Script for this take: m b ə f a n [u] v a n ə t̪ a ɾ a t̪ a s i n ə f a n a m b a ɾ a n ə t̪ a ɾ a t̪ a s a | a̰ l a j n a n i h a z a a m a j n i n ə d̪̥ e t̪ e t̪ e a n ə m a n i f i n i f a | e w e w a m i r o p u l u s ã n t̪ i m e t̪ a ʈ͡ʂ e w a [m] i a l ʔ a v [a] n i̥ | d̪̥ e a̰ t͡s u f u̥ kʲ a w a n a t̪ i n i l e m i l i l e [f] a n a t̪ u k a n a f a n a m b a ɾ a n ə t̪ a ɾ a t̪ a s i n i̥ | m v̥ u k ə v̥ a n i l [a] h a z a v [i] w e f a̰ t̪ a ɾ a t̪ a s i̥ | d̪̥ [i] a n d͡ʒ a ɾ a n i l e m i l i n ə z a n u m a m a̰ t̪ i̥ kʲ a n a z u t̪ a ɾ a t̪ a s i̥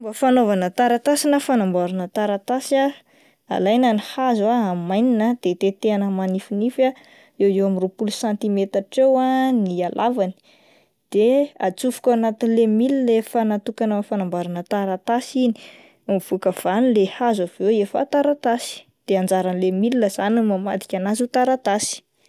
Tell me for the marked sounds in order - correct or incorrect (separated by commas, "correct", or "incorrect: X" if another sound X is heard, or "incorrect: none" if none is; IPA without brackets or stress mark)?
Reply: incorrect: o, incorrect: n, correct, correct, incorrect: e, incorrect: e, incorrect: e